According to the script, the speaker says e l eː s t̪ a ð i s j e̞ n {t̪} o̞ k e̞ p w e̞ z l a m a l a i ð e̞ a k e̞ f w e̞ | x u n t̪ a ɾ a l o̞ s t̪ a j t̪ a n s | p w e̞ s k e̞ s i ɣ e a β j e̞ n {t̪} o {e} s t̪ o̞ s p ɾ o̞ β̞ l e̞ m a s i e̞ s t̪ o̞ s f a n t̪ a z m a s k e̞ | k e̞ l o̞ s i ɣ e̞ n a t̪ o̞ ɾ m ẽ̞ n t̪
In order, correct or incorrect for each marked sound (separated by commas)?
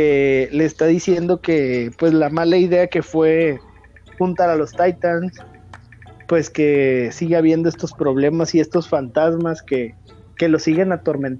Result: incorrect, incorrect, correct